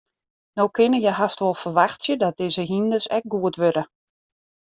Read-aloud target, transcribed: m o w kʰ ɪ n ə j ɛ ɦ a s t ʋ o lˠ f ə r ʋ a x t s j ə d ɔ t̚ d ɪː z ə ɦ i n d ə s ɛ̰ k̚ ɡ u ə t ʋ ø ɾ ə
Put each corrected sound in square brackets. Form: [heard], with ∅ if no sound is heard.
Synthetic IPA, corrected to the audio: [n] o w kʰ ɪ n ə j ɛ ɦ a s t ʋ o lˠ f ə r ʋ a x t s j ə d ɔ t̚ d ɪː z ə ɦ i n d ə s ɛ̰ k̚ ɡ u ə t ʋ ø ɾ ə